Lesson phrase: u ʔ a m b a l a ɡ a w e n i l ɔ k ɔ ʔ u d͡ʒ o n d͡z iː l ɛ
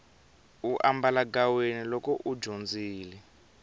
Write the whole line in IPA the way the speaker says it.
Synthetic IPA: u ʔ a m b a l a ɡ a w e n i l ɔ k ɔ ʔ u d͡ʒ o n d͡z iː l ɛ